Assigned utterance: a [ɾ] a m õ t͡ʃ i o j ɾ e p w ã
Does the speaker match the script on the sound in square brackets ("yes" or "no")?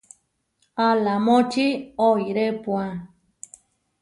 no